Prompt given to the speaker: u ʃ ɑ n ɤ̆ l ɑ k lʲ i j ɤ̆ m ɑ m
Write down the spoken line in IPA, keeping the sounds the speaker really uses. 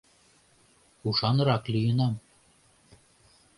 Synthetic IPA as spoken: u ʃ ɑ n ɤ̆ ɾ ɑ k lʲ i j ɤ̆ n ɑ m